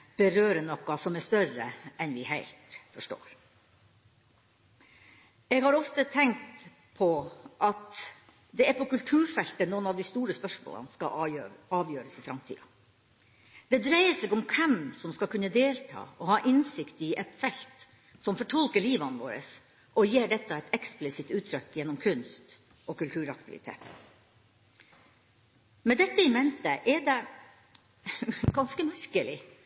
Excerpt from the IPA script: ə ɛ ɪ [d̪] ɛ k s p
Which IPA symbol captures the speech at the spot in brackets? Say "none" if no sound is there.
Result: t̪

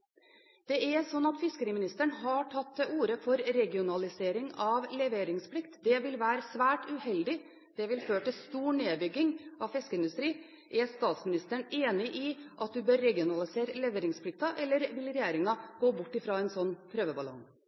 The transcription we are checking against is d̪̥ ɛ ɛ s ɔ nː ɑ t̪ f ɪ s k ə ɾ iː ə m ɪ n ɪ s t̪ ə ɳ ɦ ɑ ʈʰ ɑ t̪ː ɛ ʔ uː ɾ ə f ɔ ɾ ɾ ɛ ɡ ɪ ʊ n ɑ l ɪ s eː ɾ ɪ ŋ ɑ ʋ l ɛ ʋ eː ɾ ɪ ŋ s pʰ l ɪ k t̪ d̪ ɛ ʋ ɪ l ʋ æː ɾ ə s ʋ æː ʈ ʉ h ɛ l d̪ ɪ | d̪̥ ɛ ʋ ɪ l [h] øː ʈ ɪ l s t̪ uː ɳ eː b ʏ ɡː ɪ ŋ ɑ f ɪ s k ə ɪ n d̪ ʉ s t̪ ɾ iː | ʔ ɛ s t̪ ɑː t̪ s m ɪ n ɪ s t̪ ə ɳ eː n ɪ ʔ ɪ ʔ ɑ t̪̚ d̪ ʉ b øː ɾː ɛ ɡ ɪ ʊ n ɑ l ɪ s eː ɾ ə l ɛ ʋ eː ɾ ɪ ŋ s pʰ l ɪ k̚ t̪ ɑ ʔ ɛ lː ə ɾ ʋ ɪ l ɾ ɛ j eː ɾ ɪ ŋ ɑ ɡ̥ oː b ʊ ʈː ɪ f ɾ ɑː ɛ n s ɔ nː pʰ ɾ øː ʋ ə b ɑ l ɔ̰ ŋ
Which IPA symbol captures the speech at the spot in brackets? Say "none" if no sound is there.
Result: f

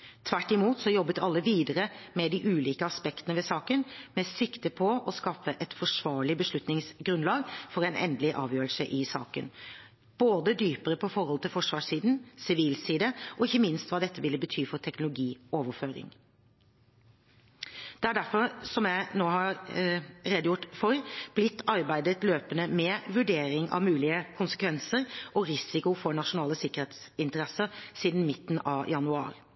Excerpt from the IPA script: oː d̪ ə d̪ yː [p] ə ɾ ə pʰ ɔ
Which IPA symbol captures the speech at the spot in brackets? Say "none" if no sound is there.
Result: p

